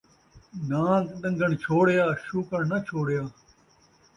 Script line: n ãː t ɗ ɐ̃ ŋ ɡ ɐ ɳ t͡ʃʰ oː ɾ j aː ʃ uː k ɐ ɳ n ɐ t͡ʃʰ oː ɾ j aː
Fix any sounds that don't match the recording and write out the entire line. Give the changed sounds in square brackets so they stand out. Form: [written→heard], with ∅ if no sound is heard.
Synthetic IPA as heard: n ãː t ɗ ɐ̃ ŋ ɡ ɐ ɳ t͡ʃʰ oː [ɾ→ɽ] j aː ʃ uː k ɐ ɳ n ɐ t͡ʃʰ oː [ɾ→ɽ] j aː